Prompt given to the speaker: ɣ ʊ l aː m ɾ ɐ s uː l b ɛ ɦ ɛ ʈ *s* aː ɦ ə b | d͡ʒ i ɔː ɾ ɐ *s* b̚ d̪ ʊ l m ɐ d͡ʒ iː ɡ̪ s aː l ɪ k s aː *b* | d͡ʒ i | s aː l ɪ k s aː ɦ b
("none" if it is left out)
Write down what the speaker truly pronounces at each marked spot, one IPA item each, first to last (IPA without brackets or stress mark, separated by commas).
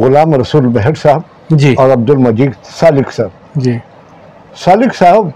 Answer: s, none, b